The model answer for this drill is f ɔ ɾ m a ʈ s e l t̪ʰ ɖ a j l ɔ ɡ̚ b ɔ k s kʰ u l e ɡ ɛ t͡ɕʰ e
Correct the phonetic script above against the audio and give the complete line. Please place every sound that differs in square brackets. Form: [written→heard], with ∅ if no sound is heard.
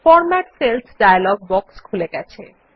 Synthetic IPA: f ɔ ɾ m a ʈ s e l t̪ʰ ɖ a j l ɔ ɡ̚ b ɔ k s kʰ u l e ɡ ɛ t͡ɕʰ e

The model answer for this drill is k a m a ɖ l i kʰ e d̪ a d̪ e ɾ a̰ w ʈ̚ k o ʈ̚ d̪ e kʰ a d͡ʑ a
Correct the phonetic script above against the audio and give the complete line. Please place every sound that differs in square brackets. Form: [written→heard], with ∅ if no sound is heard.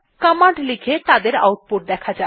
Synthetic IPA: k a m a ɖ l i kʰ e [d̪→t̪] a d̪ e ɾ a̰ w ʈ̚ [k→p] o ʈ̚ d̪ [e→ɛ] kʰ a d͡ʑ a

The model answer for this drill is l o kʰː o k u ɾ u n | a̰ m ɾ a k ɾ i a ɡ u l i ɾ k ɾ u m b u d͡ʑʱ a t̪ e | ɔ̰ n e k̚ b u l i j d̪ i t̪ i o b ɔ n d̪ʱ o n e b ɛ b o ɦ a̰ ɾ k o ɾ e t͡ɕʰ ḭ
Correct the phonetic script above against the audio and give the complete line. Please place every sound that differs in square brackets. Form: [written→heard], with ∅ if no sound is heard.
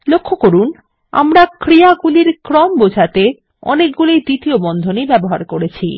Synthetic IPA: l o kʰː o k [u→o] ɾ u n | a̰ m ɾ a k ɾ i a ɡ u l i ɾ k ɾ [u→ɔ] m b [u→o] d͡ʑʱ a t̪ e | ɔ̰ n e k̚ [b→ɡ] u l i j d̪ i t̪ i o b ɔ n d̪ʱ o n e b ɛ b o ɦ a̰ ɾ k o ɾ e t͡ɕʰ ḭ

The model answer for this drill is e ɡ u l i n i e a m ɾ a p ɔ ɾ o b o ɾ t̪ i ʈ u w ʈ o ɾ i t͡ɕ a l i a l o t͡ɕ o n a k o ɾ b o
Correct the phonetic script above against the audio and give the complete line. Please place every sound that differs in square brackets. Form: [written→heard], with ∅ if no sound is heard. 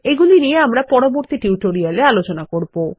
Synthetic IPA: e ɡ u l i n i e a m ɾ a p ɔ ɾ o b o ɾ t̪ i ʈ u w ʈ o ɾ i [t͡ɕ→∅] a l [i→e] a l o t͡ɕ o n a k o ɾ b o

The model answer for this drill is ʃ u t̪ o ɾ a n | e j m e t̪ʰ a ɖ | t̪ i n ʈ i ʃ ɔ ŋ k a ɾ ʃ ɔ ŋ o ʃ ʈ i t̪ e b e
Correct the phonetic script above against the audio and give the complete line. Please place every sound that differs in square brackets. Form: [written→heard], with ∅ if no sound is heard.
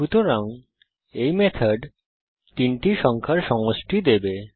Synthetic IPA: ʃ u t̪ o ɾ a [n→ŋ] | e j m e t̪ʰ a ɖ | t̪ i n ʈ i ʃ ɔ ŋ [k→kʰ] a ɾ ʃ ɔ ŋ o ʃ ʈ i [t̪→d̪] e b e

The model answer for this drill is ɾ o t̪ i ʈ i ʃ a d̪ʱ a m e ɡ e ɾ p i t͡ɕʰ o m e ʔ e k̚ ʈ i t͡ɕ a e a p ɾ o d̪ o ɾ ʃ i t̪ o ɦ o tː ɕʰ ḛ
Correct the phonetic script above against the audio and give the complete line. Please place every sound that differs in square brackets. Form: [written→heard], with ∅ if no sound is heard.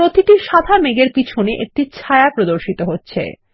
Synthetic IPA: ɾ o t̪ i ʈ i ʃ a d̪ʱ a m e ɡ e ɾ p i t͡ɕʰ o [m→n] e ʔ e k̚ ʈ i [t͡ɕ→t͡ɕʰ] a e a p ɾ o d̪ o ɾ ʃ i t̪ o ɦ o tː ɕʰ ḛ

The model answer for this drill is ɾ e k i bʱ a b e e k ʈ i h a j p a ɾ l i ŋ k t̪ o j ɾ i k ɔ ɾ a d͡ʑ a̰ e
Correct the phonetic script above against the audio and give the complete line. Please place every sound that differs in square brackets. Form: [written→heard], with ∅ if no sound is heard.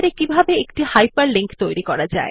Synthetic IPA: ɾ e k i bʱ a b e e k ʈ i h a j p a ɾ l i ŋ k t̪ o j ɾ i k ɔ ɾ a d͡ʑ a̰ e

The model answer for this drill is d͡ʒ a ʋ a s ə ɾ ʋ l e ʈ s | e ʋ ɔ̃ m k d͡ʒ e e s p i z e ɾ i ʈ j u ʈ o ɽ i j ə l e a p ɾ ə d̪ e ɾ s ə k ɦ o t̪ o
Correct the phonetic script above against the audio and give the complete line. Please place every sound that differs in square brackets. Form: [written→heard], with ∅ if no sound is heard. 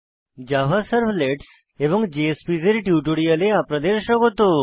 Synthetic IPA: d͡ʒ a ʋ a s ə ɾ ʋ l e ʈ s | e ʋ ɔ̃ [m→ŋ] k d͡ʒ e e s p i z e ɾ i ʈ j u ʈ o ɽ i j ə l e a p ɾ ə d̪ e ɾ [s→ʃ] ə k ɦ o t̪ o

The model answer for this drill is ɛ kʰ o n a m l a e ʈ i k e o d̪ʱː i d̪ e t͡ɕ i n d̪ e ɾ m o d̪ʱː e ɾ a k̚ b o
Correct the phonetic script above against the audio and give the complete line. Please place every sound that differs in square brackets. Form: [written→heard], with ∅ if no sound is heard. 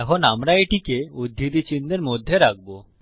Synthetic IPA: ɛ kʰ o n a m [l→ɾ] a e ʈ i k e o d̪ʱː i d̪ [e→i] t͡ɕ i n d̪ e ɾ m o d̪ʱː e ɾ a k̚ b o

